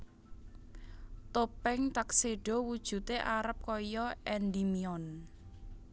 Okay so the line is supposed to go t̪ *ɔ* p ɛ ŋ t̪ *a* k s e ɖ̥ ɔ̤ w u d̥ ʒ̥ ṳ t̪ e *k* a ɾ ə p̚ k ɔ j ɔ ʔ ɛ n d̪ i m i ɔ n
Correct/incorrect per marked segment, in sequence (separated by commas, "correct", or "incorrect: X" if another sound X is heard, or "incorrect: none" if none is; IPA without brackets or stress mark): incorrect: o, correct, incorrect: ʔ